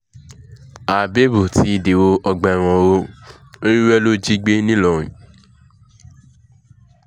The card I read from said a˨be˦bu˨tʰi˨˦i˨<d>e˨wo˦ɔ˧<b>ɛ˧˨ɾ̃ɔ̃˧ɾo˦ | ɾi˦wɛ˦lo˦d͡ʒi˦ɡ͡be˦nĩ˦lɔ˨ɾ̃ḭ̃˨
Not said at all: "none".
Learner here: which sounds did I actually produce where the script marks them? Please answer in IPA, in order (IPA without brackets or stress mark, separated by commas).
d, ɡ͡b